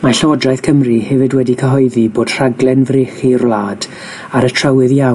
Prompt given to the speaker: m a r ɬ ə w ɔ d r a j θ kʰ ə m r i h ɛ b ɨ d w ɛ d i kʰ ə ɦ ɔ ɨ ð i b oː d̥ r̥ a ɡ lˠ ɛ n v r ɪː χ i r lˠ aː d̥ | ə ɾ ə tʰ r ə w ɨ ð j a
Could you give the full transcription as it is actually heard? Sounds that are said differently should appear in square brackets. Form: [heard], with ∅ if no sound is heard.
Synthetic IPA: m a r ɬ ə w ɔ d r a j θ kʰ ə m r i h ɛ [v] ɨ d w ɛ d i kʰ ə ɦ ɔ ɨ ð i b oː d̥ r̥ a ɡ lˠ ɛ n v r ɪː χ i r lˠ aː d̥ | [a] ɾ ə tʰ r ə w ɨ ð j a